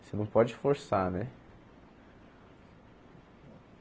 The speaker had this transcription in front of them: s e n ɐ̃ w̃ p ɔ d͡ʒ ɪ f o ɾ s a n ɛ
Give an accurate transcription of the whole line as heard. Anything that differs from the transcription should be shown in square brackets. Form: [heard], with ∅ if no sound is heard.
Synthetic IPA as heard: s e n ɐ̃ w̃ p ɔ d͡ʒ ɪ f o ɾ s a n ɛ